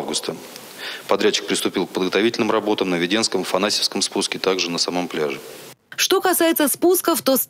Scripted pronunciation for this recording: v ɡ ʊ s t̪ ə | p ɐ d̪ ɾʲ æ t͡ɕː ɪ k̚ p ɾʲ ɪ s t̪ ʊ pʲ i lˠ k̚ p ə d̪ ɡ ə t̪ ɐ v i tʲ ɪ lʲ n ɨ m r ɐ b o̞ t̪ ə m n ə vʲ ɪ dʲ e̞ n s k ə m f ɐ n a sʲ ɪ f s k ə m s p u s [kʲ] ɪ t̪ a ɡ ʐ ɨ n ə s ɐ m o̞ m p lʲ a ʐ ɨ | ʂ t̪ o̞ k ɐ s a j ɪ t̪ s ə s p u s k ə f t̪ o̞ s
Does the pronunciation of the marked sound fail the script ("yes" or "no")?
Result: no